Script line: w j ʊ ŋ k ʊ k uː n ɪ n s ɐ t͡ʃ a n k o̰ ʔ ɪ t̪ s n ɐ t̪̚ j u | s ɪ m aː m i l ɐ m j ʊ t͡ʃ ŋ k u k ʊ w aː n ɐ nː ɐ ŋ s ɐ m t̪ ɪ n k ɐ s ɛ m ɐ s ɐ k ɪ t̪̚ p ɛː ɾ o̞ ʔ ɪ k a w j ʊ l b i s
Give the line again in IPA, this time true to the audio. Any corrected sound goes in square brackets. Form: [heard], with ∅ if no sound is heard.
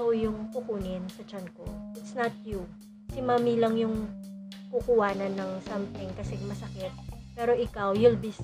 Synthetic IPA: w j ʊ ŋ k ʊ k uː n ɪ n s ɐ t͡ʃ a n k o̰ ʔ ɪ t̪ s n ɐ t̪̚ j u | s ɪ m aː m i l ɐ [ŋ] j ʊ [∅] ŋ k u k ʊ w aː n ɐ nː ɐ ŋ s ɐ m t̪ ɪ [ŋ] k ɐ s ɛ m ɐ s ɐ k ɪ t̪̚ p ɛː ɾ o̞ ʔ ɪ k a w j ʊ l b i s